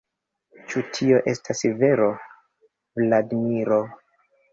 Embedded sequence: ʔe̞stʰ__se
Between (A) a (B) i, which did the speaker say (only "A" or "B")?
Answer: A